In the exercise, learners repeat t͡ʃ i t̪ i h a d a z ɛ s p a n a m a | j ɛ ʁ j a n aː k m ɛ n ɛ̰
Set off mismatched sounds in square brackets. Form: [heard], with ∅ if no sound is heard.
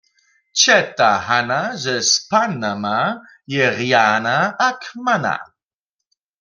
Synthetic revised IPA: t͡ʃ [ɛ] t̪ [a] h a [n] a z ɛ s p a n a m a | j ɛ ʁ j a n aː k m [a] n [a̰]